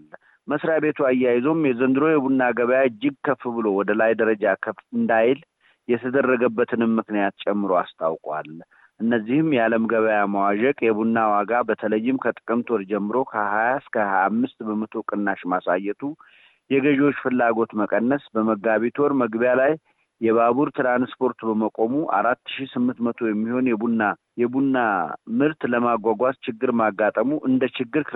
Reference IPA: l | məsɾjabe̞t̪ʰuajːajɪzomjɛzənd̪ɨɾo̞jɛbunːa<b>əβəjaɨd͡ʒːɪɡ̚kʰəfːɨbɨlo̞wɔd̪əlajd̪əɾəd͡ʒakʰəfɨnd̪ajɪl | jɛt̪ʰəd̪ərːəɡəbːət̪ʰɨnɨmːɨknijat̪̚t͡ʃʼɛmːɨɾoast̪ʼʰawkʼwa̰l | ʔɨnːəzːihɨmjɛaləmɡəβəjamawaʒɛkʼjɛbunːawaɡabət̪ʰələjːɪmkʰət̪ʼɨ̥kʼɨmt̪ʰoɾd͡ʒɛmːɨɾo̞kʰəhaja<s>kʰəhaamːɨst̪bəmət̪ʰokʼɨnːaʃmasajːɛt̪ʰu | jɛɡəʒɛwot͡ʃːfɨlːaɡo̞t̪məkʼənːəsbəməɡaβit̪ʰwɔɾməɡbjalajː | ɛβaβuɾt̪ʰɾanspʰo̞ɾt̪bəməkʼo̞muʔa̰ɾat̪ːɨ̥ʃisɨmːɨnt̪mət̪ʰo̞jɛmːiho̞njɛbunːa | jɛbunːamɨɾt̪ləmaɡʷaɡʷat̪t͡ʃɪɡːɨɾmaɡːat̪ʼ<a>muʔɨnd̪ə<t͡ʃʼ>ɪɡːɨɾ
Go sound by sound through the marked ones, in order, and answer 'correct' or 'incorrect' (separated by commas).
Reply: incorrect, correct, incorrect, incorrect